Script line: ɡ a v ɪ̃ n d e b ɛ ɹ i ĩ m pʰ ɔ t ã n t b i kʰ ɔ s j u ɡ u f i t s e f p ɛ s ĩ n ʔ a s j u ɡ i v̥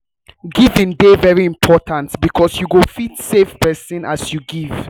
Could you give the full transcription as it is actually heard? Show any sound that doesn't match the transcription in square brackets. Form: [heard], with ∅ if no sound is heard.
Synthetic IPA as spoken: ɡ [i] v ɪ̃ n d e [v] ɛ ɹ i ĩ m pʰ ɔ t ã n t b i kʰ ɔ s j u ɡ [o] f i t s e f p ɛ s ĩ n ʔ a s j u ɡ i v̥